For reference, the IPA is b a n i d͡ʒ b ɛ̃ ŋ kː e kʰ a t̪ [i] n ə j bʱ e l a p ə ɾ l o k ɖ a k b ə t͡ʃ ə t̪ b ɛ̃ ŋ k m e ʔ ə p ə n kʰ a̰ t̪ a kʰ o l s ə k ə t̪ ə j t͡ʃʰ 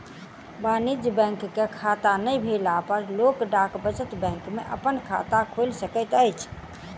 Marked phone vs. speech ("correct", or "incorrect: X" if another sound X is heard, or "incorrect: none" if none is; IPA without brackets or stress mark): incorrect: a